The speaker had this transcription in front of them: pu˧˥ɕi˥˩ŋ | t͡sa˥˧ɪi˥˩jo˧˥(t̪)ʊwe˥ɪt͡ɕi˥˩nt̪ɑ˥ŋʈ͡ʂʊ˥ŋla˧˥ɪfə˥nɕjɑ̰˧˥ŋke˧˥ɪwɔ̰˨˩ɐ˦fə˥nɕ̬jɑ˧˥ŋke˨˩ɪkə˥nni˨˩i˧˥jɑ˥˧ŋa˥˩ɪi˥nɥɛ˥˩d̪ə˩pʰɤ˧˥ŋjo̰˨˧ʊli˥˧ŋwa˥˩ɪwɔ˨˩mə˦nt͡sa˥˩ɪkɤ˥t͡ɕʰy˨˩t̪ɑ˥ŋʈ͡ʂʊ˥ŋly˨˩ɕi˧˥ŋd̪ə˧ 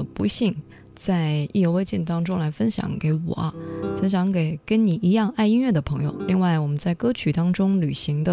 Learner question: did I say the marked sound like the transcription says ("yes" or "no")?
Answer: no